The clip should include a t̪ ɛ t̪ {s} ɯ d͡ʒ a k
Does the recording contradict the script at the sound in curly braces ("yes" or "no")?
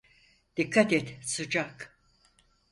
no